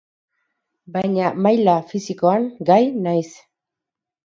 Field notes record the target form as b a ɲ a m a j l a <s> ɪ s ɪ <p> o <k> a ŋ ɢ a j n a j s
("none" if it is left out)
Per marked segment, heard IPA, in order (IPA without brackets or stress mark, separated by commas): f, k, none